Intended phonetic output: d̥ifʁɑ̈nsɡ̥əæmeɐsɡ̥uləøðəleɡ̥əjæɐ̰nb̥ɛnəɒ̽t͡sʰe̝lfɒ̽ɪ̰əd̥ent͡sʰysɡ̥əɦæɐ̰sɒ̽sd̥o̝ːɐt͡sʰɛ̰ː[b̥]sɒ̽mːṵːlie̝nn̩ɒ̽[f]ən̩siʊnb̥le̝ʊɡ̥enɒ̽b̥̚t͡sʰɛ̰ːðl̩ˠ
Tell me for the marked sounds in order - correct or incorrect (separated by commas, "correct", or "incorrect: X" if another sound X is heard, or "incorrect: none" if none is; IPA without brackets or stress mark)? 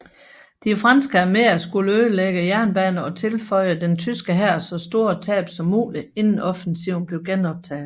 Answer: correct, correct